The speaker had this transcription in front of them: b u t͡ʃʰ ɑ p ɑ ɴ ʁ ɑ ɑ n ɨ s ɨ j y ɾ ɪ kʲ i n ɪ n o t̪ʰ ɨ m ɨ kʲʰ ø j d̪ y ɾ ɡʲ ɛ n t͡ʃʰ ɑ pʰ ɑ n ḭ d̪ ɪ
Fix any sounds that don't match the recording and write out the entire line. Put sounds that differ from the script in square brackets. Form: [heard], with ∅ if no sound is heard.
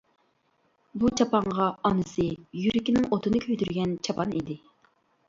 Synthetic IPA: b u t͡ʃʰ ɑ p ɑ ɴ ʁ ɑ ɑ n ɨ s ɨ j y ɾ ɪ kʲ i n ɪ [ŋ] o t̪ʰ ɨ [n] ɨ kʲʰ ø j d̪ y ɾ ɡʲ ɛ n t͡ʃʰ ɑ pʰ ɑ n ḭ d̪ ɪ